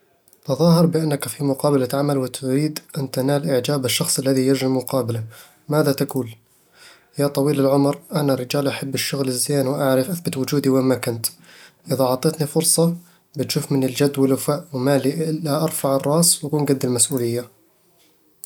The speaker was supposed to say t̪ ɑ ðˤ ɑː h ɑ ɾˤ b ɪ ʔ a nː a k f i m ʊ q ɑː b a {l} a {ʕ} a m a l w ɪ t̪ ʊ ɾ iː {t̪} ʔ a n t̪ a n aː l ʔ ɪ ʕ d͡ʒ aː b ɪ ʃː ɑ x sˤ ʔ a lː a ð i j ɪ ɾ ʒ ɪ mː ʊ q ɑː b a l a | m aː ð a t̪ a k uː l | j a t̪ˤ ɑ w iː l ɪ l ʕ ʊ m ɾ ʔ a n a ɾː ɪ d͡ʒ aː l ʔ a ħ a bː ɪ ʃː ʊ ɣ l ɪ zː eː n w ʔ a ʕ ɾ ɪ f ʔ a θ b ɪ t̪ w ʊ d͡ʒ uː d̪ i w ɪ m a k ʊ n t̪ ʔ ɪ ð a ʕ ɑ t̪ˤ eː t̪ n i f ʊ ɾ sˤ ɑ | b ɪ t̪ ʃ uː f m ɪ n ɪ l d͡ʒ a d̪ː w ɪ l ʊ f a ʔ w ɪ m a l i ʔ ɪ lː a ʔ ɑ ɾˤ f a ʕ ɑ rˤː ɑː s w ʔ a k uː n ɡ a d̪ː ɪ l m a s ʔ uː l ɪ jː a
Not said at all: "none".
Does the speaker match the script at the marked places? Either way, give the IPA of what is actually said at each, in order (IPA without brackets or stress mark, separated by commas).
l, ʕ, d̪